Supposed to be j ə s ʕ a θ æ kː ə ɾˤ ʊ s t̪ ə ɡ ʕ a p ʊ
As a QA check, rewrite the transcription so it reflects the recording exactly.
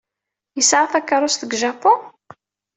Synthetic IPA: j ə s ʕ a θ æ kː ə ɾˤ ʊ s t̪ ə ɡ ʒ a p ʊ